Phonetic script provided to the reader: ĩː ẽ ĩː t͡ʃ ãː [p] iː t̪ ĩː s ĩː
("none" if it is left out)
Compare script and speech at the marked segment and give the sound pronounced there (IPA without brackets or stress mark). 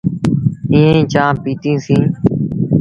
p